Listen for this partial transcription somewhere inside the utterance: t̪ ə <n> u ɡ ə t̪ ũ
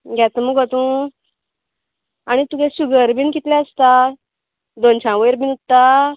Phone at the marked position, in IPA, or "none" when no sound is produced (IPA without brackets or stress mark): m